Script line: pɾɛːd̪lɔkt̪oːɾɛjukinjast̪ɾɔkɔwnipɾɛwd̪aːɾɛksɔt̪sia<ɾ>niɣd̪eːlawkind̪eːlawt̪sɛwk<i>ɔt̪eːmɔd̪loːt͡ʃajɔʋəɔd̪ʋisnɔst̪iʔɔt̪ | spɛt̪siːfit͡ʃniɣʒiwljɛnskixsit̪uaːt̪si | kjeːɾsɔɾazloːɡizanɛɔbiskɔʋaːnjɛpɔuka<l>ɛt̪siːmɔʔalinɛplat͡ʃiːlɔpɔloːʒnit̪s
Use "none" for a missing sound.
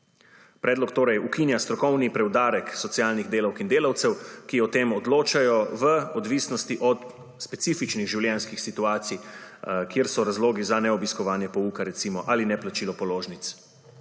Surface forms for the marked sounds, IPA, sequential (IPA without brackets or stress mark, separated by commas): l, i, ɾ